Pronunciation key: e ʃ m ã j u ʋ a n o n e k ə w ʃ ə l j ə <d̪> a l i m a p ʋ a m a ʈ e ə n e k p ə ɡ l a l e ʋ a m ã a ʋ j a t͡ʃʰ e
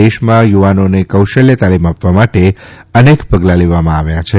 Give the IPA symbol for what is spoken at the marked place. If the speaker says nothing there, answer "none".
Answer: t̪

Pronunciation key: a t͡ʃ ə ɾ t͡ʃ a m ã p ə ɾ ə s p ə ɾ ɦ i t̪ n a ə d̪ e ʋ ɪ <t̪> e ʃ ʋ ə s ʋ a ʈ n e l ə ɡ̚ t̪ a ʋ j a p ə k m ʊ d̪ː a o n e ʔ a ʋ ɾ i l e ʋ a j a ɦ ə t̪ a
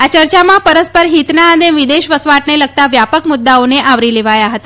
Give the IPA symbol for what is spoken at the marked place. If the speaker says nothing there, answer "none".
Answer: d̪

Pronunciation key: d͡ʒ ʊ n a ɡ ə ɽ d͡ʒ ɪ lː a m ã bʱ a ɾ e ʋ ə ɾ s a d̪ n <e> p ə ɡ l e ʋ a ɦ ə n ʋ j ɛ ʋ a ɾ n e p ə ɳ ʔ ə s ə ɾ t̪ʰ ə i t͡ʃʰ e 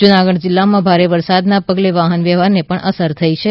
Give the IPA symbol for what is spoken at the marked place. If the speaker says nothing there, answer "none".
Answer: a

